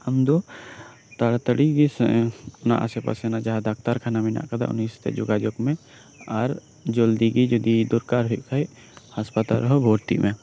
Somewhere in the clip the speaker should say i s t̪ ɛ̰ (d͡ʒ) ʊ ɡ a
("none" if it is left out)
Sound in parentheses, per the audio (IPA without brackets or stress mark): d͡ʒ